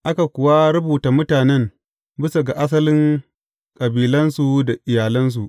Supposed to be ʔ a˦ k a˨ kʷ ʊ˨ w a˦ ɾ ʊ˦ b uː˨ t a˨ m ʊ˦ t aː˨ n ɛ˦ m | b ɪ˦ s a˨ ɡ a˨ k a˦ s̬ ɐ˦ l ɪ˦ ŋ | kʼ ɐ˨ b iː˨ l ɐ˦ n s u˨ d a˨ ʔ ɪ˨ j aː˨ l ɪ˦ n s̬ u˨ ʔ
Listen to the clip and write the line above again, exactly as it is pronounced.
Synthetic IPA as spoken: ʔ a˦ k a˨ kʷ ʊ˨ w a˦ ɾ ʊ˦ b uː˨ t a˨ m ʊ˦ t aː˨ n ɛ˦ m | b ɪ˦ s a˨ ɡ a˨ ʔ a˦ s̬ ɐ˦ l ɪ˦ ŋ | kʼ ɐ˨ b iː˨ l ɐ˦ n s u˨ d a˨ ʔ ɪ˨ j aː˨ l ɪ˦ n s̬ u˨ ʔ